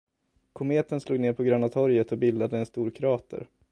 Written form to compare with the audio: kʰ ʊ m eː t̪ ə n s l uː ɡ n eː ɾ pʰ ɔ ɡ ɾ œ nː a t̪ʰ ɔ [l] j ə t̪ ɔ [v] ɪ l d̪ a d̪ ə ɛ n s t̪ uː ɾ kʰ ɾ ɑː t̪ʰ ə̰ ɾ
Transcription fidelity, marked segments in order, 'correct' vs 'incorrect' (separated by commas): incorrect, incorrect